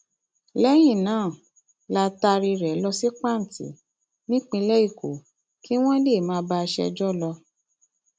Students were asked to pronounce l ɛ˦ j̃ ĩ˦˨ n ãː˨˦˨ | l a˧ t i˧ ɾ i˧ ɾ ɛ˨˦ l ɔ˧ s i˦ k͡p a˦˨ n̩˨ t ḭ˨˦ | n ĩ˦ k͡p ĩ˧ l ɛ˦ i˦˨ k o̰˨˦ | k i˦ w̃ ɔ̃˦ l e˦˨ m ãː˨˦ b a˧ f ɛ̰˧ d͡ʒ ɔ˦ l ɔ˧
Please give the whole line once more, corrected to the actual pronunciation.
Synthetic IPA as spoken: l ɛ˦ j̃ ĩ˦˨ n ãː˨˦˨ | l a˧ t a˧ ɾ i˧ ɾ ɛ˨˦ l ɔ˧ s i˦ k͡p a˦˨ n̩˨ t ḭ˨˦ | n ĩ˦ k͡p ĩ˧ l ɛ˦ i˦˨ k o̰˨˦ | k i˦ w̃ ɔ̃˦ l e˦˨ m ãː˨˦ b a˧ ʃ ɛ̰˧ d͡ʒ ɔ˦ l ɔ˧